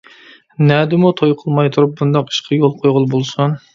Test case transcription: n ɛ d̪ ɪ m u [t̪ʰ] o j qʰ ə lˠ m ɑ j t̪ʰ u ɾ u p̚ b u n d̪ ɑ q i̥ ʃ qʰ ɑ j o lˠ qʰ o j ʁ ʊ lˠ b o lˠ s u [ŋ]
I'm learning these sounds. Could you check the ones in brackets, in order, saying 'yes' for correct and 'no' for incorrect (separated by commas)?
yes, no